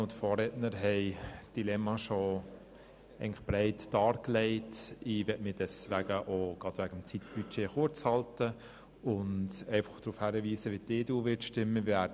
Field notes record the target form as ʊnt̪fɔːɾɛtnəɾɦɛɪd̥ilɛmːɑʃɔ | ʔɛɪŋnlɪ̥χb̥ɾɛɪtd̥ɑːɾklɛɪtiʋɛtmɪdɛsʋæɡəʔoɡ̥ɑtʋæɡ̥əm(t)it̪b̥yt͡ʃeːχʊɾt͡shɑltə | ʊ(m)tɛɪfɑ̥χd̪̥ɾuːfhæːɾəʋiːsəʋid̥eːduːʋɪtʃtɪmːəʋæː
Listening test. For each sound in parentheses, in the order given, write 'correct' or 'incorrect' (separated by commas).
incorrect, incorrect